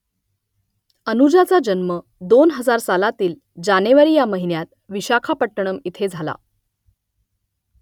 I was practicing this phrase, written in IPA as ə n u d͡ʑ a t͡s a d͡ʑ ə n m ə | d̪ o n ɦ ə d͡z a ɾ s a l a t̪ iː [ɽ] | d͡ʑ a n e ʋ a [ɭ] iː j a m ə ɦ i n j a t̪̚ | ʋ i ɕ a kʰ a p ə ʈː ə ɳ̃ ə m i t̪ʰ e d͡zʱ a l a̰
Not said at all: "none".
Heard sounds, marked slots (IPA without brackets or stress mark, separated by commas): l, ɾ